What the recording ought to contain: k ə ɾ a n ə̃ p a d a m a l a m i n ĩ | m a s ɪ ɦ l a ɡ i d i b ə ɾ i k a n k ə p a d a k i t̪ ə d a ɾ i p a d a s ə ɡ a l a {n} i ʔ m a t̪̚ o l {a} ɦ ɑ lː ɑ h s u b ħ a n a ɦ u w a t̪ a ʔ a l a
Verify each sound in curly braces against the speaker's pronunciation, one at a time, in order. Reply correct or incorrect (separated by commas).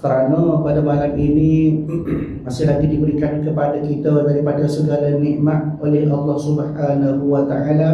correct, incorrect